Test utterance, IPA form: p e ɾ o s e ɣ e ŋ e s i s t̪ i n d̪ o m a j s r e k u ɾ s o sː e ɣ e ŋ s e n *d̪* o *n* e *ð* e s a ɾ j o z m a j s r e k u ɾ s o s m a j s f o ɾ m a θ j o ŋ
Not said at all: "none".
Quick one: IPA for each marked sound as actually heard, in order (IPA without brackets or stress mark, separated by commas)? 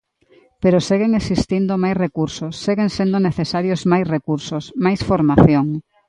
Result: d̪, n, θ